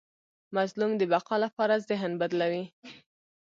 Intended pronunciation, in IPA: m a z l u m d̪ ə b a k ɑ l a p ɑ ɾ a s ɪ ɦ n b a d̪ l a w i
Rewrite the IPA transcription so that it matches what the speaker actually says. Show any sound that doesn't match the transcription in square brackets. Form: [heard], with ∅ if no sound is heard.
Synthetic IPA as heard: m a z l u m d̪ ə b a [q] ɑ l a p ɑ ɾ a [z] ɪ ɦ n b a d̪ l a w i